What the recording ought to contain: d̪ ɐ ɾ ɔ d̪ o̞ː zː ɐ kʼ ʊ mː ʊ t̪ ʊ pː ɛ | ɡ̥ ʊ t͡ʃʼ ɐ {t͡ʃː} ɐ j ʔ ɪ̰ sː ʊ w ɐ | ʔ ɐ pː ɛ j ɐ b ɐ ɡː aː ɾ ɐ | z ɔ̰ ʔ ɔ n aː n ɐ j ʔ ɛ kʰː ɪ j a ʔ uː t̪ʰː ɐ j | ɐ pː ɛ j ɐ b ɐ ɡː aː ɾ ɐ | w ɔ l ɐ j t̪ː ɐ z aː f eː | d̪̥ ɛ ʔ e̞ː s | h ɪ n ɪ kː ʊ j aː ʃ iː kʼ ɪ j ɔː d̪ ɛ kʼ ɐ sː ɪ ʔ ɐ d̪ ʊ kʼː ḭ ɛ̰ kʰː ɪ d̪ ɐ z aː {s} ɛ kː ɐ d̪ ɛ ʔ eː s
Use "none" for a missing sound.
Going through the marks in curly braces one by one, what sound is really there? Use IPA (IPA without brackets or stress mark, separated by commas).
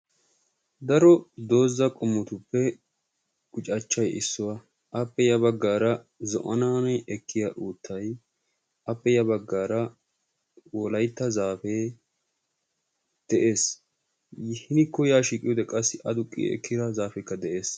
t͡ʃː, f